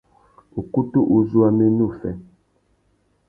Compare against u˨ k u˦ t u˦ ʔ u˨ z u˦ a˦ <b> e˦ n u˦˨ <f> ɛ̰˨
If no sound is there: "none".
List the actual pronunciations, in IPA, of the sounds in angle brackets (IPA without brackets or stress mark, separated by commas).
m, f